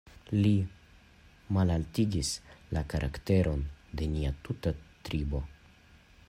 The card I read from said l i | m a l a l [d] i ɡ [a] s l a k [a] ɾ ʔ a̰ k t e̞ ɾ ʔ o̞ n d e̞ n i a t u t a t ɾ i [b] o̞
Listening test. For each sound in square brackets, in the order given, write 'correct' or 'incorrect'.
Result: incorrect: t, incorrect: i, correct, correct

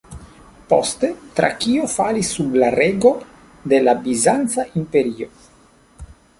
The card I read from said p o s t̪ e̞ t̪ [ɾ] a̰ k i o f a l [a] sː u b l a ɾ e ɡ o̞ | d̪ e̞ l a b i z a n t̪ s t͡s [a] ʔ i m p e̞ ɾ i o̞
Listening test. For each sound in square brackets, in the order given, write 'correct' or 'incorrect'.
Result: correct, incorrect: i, correct

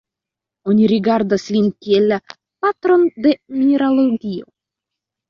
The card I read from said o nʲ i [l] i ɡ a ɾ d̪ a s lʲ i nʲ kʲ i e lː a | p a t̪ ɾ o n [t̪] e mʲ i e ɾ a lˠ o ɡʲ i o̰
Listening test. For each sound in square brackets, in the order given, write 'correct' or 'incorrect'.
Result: incorrect: ɾ, incorrect: d̪

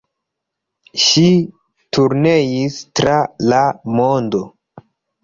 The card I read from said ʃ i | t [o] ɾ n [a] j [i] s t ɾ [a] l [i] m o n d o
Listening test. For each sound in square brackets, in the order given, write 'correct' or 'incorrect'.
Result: incorrect: u, incorrect: e, correct, correct, incorrect: a

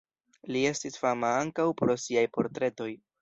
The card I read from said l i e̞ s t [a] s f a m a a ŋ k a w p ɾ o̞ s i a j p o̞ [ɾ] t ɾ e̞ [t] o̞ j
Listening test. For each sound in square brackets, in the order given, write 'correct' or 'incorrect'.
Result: incorrect: i, correct, correct

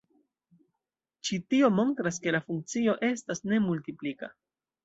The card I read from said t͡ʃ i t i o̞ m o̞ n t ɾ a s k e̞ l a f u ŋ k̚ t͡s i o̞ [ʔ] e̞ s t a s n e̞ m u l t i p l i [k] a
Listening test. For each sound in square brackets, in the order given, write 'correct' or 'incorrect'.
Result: correct, correct

